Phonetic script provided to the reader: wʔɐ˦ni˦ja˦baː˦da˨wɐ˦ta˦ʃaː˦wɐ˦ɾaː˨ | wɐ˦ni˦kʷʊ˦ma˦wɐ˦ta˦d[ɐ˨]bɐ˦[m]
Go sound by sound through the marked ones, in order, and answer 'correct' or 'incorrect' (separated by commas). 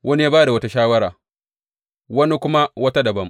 correct, correct